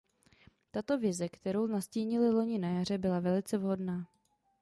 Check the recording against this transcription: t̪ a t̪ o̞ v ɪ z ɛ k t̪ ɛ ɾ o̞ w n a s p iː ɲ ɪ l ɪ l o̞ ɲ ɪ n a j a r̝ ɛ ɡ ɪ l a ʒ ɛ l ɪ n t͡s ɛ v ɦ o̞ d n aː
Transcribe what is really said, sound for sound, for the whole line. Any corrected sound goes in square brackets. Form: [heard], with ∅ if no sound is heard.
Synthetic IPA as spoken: t̪ a t̪ o̞ v ɪ z ɛ k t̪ ɛ ɾ o̞ w n a s [c] iː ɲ ɪ l ɪ l o̞ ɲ ɪ n a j a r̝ ɛ [b] ɪ l a [v] ɛ l ɪ [∅] t͡s ɛ v ɦ o̞ d n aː